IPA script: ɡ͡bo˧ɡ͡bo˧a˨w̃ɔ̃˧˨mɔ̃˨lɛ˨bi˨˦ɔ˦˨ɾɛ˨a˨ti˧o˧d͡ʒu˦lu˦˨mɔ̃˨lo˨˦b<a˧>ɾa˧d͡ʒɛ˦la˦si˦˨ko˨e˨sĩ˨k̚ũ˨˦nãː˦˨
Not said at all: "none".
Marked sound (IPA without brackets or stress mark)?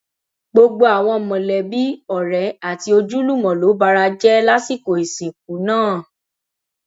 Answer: a˧